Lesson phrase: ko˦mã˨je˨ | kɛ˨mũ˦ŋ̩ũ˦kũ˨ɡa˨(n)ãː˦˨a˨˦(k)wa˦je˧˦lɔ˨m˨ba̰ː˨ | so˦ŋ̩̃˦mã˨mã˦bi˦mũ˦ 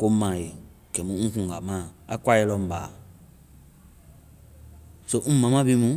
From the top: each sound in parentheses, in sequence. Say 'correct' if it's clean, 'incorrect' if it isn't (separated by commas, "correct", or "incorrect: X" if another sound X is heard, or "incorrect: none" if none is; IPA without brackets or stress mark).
incorrect: m, correct